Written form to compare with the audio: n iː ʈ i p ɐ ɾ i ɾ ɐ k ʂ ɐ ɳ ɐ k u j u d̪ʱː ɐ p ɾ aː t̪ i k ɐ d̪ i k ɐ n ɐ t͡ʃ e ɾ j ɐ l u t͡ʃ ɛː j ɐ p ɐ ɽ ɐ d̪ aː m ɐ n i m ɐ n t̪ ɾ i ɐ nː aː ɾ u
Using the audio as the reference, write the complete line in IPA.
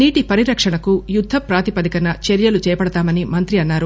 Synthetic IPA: n iː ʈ i p ɐ ɾ i ɾ ɐ k ʂ ɐ ɳ ɐ k u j u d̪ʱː ɐ p ɾ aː t̪ i p ɐ d̪ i k ɐ n ɐ t͡ʃ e ɾ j ɐ l u t͡ʃ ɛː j ɐ p ɐ ɽ ɐ t̪ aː m ɐ n i m ɐ n t̪ ɾ i ɐ nː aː ɾ u

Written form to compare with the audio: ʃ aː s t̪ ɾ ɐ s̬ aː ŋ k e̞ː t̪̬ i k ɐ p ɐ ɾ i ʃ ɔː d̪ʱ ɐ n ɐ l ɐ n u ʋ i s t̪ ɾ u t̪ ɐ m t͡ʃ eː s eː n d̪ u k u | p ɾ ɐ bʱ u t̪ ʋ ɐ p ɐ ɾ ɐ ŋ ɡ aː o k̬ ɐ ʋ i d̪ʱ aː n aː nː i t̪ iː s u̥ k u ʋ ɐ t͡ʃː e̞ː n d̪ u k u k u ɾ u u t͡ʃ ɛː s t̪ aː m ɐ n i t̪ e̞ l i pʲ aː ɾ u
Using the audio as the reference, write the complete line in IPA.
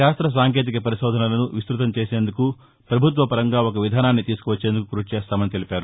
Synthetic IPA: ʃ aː s t̪ ɾ ɐ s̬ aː ŋ k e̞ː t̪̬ i k ɐ p ɐ ɾ i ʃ ɔː d̪ʱ ɐ n ɐ l ɐ n u ʋ i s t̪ ɾ u t̪ ɐ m t͡ʃ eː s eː n d̪ u k u | p ɾ ɐ bʱ u t̪ ʋ ɐ p ɐ ɾ ɐ ŋ ɡ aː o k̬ ɐ ʋ i d̪ʱ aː n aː nː i t̪ iː s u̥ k u ʋ ɐ t͡ʃː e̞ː n d̪ u k u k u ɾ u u t͡ʃ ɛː s t̪ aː m ɐ n i t̪ e̞ l i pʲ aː ɾ u

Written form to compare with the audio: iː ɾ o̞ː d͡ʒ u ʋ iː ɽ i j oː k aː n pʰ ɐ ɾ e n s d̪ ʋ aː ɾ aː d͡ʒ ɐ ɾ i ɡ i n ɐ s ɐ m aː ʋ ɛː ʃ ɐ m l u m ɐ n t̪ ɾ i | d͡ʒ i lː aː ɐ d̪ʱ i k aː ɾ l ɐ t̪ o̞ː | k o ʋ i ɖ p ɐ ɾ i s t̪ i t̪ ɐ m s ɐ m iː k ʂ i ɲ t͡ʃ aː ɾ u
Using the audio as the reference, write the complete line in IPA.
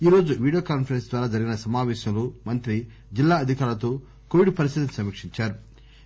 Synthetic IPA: iː ɾ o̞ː d͡ʒ u ʋ iː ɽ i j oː k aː n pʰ ɐ ɾ e n s d̪ ʋ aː ɾ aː d͡ʒ ɐ ɾ i ɡ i n ɐ s ɐ m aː ʋ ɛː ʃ ɐ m l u m ɐ n t̪ ɾ i | d͡ʒ i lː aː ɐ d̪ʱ i k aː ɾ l ɐ t̪ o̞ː | k o ʋ i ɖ p ɐ ɾ i s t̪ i t̪ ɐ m s ɐ m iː k ʂ i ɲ t͡ʃ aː ɾ u

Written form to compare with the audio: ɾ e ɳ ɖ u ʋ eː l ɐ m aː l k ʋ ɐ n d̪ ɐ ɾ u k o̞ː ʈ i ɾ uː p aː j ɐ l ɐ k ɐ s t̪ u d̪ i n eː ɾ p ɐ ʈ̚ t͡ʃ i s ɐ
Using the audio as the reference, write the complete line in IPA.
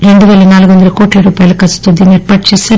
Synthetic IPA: ɾ e ɳ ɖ u ʋ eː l ɐ n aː l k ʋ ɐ n d̪ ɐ ɾ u k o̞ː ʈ i ɾ uː p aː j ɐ l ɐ k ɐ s t̪ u d̪ i n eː ɾ p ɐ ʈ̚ t͡ʃ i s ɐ

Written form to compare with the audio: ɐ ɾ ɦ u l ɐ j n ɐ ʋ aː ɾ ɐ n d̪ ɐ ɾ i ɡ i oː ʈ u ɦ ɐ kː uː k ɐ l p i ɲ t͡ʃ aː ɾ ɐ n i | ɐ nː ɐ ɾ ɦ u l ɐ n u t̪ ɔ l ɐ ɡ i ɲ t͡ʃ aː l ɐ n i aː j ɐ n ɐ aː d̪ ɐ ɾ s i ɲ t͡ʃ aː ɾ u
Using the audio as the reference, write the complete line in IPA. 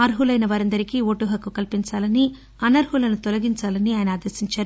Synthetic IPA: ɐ ɾ ɦ u l ɐ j n ɐ ʋ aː ɾ ɐ n d̪ ɐ ɾ i k i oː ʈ u ɦ ɐ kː u k ɐ l p i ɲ t͡ʃ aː l ɐ n i | ɐ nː ɐ ɾ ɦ u l ɐ n u t̪ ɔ l ɐ ɡ i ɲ t͡ʃ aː l ɐ n i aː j ɐ n ɐ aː d̪ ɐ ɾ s i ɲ t͡ʃ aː ɾ u

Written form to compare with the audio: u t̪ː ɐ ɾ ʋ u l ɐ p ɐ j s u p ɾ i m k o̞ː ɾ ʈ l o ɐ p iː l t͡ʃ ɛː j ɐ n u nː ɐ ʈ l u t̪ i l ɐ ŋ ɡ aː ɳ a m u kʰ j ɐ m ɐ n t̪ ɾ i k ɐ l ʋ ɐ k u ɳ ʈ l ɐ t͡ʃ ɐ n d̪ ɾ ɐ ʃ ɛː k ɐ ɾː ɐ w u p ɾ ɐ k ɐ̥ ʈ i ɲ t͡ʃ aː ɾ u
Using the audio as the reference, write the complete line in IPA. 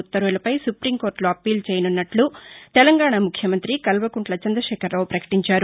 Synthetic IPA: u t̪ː ɐ ɾ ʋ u l ɐ p ɐ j s u p ɾ i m k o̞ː ɾ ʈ l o ɐ p iː l t͡ʃ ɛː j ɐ n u nː ɐ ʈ l u t̪ ɛ l ɐ ŋ ɡ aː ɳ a m u kʰ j ɐ m ɐ n t̪ ɾ i k ɐ l ʋ ɐ k u ɳ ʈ l ɐ t͡ʃ ɐ n d̪ ɾ ɐ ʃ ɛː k ɐ ɾː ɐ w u p ɾ ɐ k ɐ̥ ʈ i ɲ t͡ʃ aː ɾ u

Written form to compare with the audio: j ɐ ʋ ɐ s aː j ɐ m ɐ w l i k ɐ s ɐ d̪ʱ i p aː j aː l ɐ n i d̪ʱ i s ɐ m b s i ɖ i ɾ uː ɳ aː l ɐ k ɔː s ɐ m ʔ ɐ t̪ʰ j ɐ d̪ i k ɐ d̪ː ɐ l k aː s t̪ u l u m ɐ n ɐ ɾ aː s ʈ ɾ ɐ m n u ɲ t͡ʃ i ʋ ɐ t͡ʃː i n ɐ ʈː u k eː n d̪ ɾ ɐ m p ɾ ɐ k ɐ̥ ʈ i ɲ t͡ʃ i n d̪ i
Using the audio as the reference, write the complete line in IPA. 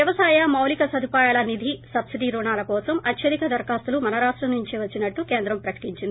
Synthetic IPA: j ɐ ʋ ɐ s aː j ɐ m ɐ w l i k ɐ s ɐ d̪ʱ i p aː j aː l ɐ n i d̪ʱ i s ɐ b s i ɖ i ɾ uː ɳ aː l ɐ k ɔː s ɐ m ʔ ɐ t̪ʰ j ɐ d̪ i k ɐ d̪ ɐ ɾ k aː s t̪ u l u m ɐ n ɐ ɾ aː ʂ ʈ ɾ ɐ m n u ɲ t͡ʃ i ʋ ɐ t͡ʃː i n ɐ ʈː u k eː n d̪ ɾ ɐ m p ɾ ɐ k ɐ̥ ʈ i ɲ t͡ʃ i n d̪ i

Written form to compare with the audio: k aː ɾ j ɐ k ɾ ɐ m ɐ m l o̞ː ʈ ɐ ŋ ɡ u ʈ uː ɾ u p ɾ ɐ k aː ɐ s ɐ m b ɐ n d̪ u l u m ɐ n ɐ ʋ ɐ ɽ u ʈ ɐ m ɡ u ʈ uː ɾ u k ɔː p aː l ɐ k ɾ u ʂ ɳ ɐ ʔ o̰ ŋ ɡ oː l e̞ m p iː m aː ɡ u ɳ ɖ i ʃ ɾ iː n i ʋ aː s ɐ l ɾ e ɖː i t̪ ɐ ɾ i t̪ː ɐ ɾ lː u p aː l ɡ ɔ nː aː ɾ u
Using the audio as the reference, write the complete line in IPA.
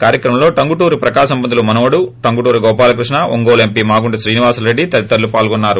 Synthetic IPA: k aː ɾ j ɐ k ɾ ɐ m ɐ m l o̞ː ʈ ɐ ŋ ɡ u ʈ uː ɾ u p ɾ ɐ k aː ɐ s ɐ m b ɐ n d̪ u l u m ɐ n ɐ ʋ ɐ ɽ u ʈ ɐ ŋ ɡ u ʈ uː ɾ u ɡ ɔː p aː l ɐ k ɾ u ʂ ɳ ɐ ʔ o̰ ŋ ɡ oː l e̞ m p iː m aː ɡ u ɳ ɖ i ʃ ɾ iː n i ʋ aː s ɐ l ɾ e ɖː i t̪ ɐ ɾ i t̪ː ɐ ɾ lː u p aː l ɡ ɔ nː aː ɾ u

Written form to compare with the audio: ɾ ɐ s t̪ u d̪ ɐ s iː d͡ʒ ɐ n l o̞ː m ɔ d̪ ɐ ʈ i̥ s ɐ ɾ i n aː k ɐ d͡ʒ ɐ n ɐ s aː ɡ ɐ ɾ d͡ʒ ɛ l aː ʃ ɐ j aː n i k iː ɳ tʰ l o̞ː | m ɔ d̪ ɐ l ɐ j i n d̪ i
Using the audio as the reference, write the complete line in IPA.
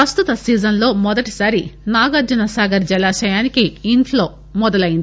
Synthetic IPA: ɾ ɐ s t̪ u t̪ ɐ s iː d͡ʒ ɐ n l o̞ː m ɔ d̪ ɐ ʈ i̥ s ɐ ɾ i n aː ɡ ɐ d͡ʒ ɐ n ɐ s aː ɡ ɐ ɾ d͡ʒ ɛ l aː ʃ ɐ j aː n i k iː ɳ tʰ l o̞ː | m ɔ d̪ ɐ l ɐ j i n d̪ i

